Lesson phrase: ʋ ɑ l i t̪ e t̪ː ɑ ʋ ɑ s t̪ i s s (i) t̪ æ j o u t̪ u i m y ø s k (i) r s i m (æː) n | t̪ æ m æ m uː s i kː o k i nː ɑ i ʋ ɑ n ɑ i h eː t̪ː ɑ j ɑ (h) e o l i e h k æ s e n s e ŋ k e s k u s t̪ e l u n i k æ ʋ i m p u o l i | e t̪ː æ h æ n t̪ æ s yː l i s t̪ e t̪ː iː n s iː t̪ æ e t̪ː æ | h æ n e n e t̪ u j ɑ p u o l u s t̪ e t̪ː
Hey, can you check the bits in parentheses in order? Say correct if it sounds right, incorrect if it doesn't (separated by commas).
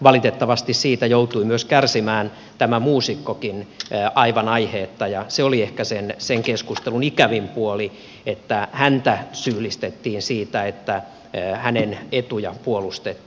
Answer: incorrect, incorrect, correct, incorrect